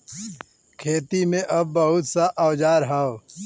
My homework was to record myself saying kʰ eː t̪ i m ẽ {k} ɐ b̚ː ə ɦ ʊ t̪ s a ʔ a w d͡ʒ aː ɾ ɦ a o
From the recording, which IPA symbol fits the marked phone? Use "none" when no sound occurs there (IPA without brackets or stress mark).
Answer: ʔ